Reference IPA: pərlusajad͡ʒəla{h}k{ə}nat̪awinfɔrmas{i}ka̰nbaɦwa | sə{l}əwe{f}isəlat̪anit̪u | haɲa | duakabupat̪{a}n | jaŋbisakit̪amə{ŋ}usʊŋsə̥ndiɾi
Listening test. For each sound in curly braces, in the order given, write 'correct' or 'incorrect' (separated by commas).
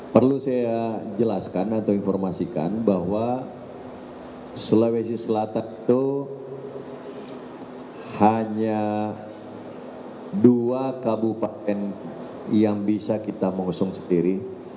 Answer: incorrect, incorrect, correct, correct, incorrect, incorrect, correct